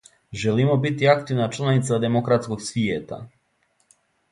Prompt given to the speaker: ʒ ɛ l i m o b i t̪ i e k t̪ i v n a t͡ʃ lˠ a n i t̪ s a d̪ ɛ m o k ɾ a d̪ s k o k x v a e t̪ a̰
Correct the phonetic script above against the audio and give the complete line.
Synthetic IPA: ʒ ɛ l i m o b i t̪ i a k t̪ i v n a t͡ʃ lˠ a n i t̪ s a d̪ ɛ m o k ɾ a t̪ s k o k s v i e t̪ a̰

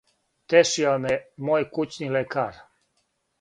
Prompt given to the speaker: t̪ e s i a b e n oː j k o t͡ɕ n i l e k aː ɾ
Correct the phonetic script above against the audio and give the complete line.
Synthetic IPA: t̪ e ʃ i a m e m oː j k u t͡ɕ n i l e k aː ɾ

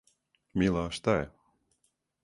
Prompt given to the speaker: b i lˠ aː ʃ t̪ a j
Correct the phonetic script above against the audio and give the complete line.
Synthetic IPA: m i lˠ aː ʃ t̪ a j

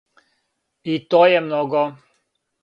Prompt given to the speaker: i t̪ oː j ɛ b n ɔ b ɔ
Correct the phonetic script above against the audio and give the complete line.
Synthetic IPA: i t̪ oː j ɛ m n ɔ ɡ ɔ

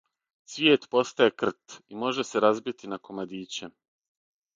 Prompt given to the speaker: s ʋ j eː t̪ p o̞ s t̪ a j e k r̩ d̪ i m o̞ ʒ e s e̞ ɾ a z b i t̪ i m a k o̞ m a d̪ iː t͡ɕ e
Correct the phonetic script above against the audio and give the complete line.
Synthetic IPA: s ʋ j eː t̪ p o̞ s t̪ a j e k r̩ t̪ i m o̞ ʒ e s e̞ ɾ a z b i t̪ i n a k o̞ m a d̪ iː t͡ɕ e

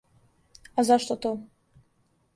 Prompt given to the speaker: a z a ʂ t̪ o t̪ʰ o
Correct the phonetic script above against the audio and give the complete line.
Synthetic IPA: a z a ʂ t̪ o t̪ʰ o

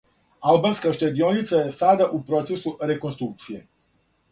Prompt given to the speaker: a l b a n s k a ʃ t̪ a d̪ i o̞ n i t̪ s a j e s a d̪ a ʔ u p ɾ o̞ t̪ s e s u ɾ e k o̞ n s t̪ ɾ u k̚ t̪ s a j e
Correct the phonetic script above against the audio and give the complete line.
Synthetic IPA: a l b a n s k a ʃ t̪ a d̪ i o̞ n i t̪ s a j e s a d̪ a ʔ u p ɾ o̞ t̪ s e s u ɾ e k o̞ n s t̪ ɾ u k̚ t̪ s i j e

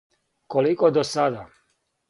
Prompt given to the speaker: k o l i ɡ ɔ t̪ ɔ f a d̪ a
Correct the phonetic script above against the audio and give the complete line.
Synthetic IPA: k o l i k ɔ d̪ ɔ s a d̪ a

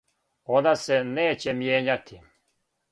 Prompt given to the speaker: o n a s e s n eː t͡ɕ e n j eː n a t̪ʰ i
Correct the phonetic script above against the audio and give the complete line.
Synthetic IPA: o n a s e n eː t͡ɕ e m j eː ɲ a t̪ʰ i

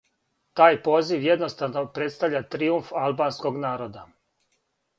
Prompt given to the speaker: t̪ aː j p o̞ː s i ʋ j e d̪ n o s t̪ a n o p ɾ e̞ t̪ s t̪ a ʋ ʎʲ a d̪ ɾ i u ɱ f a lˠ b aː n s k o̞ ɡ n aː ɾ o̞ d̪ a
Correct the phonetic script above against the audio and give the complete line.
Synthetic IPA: t̪ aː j p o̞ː z i ʋ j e d̪ n o s t̪ a n o p ɾ e̞ t̪ s t̪ a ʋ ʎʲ a t̪ ɾ i u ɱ f a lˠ b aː n s k o̞ ɡ n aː ɾ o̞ d̪ a

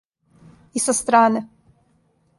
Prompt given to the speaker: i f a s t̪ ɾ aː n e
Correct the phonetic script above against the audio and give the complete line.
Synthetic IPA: i s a s t̪ ɾ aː n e

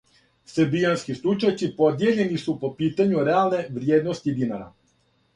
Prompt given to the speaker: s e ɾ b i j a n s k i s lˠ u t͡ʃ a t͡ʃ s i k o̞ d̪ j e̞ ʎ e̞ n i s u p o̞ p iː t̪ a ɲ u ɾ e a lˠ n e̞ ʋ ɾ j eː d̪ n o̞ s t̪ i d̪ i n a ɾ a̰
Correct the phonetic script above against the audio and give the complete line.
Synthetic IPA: s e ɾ b i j a n s k i s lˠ u t͡ʃ a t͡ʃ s i p o̞ d̪ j e̞ ʎ e̞ n i s u p o̞ p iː t̪ a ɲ u ɾ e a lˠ n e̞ ʋ ɾ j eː d̪ n o̞ s t̪ i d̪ i n a ɾ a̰

